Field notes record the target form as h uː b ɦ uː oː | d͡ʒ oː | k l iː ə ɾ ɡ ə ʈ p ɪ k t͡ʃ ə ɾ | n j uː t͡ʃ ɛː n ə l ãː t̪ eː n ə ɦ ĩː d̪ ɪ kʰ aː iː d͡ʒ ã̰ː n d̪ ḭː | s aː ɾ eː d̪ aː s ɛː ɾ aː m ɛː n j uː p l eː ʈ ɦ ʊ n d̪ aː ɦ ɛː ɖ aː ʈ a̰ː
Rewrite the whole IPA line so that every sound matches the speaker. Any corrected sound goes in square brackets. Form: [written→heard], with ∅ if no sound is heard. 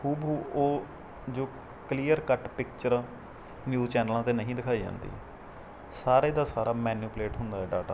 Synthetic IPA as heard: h uː b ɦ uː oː | d͡ʒ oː | k l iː ə ɾ [ɡ→k] ə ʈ p ɪ k t͡ʃ ə ɾ | n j uː t͡ʃ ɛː n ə l ãː t̪ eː n ə ɦ ĩː d̪ ɪ kʰ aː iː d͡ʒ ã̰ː n d̪ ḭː | s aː ɾ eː d̪ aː s [ɛː→aː] ɾ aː m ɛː n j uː p l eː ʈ ɦ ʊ n d̪ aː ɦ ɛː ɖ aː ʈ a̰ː